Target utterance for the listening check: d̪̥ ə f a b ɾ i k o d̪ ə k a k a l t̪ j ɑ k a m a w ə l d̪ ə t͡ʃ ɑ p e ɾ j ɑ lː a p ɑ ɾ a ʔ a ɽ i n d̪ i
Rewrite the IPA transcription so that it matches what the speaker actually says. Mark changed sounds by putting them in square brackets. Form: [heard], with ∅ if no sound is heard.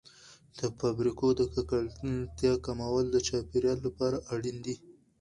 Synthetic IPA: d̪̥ ə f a b ɾ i k o d̪ ə k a k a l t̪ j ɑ k a m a w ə l d̪ ə t͡ʃ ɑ p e ɾ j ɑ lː a p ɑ ɾ a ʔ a ɽ i n d̪ i